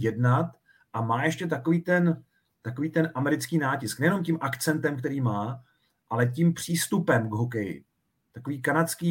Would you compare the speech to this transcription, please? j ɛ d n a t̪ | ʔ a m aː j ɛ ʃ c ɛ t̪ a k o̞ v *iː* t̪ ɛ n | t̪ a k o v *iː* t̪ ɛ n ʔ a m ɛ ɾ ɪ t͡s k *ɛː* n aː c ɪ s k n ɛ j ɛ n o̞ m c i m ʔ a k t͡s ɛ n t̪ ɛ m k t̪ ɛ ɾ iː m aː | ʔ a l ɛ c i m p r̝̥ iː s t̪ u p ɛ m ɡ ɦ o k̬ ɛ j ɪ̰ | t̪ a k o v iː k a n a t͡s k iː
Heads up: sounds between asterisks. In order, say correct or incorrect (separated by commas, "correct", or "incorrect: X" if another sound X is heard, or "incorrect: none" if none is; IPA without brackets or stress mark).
correct, correct, incorrect: iː